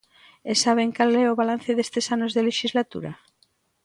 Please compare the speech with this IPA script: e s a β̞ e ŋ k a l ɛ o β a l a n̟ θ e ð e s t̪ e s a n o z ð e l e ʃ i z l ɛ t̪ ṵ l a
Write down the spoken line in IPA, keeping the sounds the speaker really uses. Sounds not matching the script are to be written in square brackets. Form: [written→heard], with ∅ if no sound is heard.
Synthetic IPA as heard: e s a β̞ e ŋ k a l ɛ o β a l a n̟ θ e ð e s t̪ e s a n o z ð e l e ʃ i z l [ɛ→a] t̪ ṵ [l→ɾ] a